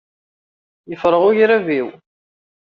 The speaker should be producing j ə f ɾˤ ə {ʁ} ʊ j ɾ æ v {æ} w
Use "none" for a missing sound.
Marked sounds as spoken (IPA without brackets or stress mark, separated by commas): ʁ, i